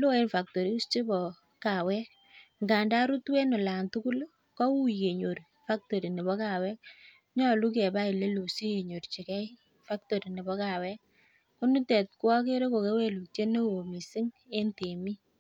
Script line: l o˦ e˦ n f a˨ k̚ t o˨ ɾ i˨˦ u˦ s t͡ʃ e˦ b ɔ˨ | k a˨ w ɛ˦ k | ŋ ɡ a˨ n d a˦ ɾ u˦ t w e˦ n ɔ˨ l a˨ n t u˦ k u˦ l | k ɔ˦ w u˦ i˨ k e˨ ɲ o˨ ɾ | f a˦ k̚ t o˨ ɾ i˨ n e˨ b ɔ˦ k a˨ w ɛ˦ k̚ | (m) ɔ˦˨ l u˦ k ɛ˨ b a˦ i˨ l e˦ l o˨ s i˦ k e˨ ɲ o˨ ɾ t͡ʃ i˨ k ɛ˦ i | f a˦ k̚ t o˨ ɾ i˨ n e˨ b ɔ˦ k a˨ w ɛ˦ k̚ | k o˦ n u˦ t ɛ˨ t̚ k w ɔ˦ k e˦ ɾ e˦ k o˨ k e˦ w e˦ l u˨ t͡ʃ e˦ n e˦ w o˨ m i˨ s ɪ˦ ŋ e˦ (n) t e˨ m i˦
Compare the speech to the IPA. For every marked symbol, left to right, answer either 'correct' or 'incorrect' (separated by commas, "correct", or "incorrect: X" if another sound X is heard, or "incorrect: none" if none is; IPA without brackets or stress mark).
incorrect: ɲ, correct